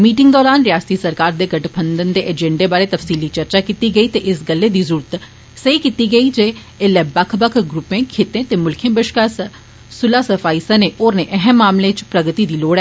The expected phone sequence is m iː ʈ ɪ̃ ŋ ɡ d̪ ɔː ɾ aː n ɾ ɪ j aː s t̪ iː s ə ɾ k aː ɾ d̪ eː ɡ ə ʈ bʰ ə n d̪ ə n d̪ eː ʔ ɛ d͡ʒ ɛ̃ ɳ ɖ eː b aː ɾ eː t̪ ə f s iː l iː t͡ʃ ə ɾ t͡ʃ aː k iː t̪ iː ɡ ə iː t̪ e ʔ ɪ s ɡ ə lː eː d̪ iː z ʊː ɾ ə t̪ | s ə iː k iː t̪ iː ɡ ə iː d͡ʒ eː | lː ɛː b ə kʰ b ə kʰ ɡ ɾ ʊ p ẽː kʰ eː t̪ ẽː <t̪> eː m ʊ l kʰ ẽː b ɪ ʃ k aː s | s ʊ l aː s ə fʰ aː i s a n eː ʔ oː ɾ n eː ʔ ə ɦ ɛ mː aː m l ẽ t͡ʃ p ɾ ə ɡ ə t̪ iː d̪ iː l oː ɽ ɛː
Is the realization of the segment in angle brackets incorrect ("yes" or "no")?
no